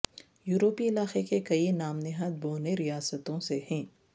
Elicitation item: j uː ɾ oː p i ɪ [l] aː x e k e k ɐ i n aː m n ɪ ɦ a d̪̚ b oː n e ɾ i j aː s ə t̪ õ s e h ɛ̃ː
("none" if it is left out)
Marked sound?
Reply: l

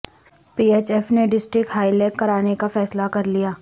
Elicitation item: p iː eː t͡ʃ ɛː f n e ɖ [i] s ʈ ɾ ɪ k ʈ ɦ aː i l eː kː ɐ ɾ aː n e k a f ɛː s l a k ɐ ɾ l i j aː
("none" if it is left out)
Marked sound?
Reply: ɪ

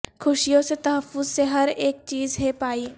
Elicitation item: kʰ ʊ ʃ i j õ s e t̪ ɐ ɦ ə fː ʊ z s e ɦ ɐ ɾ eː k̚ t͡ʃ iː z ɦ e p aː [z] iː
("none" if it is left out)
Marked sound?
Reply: none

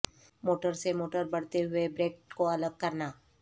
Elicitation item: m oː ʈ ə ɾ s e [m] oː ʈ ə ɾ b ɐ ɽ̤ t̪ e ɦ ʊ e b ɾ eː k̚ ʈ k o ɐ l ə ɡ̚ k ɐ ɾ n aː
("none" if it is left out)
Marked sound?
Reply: m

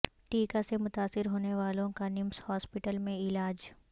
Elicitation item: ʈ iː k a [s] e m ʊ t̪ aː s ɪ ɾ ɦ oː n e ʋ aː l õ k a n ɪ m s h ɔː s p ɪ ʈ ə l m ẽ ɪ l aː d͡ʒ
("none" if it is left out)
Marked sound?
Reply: s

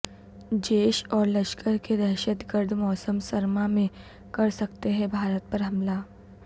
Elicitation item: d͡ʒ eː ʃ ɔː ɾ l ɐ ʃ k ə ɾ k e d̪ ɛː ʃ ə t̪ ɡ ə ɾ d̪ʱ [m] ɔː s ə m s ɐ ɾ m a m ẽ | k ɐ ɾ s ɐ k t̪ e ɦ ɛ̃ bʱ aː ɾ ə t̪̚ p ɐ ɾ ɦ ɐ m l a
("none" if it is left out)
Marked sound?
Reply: m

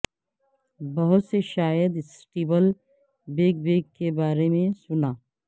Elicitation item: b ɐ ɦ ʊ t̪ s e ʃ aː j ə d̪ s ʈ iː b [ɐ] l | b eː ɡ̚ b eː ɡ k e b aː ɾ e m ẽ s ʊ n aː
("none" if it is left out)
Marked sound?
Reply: ə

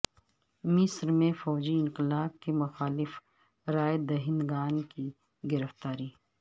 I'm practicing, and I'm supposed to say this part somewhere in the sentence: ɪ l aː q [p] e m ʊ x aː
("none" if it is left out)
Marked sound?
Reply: k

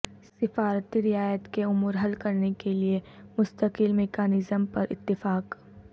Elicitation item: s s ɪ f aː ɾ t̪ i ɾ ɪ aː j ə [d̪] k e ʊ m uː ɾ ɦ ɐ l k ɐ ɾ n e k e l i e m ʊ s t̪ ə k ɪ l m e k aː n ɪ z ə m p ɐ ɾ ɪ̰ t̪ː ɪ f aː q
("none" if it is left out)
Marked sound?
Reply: t̪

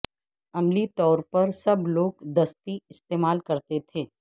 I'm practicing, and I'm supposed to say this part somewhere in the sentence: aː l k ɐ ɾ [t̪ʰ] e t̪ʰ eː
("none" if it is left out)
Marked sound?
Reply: t̪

